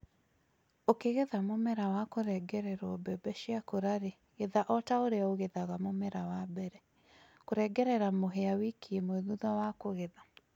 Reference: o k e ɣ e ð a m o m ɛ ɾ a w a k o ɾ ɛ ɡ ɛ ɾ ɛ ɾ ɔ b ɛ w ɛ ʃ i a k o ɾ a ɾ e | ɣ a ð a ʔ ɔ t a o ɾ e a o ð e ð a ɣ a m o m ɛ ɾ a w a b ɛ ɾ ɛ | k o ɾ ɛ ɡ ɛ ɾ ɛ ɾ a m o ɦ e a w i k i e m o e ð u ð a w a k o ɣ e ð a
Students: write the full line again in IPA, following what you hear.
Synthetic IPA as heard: o k e ɣ e ð a m o m ɛ ɾ a w a k o ɾ ɛ ɡ ɛ ɾ ɛ ɾ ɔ b ɛ b ɛ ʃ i a k o ɾ a ɾ e | ɣ e ð a ʔ ɔ t a o ɾ e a o ɣ e ð a ɣ a m o m ɛ ɾ a w a b ɛ ɾ ɛ | k o ɾ ɛ ɡ ɛ ɾ ɛ ɾ a m o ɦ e a w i k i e m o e ð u ð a w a k o ɣ e ð a